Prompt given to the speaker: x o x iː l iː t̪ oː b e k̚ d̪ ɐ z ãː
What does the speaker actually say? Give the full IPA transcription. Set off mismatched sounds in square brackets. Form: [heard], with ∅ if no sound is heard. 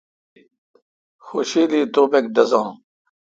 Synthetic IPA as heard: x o [ɕ] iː l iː t̪ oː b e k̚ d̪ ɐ z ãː